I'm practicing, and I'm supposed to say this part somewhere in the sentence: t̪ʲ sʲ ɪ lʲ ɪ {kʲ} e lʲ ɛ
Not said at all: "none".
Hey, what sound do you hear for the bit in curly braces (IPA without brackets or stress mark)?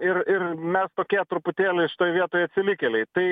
kʲ